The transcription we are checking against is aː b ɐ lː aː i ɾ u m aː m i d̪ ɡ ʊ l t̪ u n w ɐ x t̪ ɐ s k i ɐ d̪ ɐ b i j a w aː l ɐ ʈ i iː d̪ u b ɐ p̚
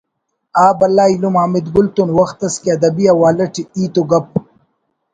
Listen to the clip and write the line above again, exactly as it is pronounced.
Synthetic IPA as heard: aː b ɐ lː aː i l u m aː m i d̪ ɡ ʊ l t̪ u n w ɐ x t̪ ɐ s k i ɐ d̪ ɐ b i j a w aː l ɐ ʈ i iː t̪ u ɡ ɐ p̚